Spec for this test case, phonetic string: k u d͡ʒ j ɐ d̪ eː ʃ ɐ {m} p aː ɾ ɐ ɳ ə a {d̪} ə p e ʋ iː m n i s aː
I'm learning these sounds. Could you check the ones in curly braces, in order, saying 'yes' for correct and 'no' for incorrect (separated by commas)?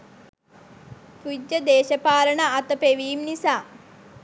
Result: no, no